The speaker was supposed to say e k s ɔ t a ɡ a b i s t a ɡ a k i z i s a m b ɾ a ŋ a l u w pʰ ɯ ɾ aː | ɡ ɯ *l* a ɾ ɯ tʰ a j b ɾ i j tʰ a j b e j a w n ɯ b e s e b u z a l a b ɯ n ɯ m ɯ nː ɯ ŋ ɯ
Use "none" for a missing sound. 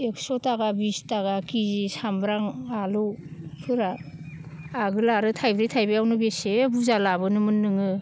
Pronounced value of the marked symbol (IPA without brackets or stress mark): l